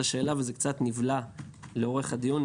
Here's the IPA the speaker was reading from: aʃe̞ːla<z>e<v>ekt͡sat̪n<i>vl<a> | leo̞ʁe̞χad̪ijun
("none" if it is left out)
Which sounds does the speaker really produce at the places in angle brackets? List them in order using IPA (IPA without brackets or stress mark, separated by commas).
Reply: v, z, i, a